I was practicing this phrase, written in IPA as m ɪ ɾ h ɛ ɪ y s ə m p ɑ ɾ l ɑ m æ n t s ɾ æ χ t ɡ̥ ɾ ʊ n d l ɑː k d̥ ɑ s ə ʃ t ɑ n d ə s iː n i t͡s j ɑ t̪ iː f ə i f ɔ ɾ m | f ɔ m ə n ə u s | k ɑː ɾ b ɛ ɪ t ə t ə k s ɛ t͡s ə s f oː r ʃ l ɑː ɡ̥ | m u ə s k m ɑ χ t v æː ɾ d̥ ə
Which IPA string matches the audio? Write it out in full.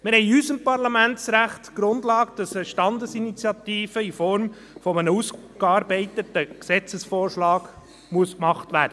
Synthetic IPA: m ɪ ɾ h ɛ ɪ y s ə m p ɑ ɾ l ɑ m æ n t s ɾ æ χ t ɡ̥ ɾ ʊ n d l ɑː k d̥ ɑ s ə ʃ t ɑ n d ə s i n i t͡s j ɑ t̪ iː f ə i f ɔ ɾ m | f ɔ m ə n ə u s | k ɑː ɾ b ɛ ɪ t ə t ə k s ɛ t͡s ə s f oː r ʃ l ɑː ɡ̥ | m u ə s k m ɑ χ t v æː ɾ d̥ ə